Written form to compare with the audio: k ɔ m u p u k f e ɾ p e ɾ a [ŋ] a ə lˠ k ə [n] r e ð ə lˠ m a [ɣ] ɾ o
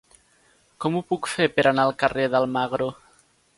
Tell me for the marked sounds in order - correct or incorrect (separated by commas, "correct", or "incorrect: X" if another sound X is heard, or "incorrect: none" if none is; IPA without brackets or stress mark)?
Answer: incorrect: n, incorrect: none, correct